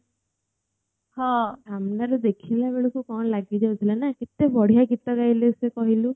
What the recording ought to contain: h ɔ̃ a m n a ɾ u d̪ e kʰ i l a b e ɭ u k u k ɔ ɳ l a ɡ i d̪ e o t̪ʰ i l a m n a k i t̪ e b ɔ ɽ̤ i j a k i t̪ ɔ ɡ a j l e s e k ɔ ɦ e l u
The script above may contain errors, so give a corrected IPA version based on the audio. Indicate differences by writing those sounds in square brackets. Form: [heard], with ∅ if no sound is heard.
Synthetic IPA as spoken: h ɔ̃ a m n a ɾ u d̪ e kʰ i l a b e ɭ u k u k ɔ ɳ l a ɡ i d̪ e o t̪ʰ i l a [∅] n a k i t̪ e b ɔ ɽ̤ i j a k i t̪ ɔ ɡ a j l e s e k ɔ ɦ [i] l u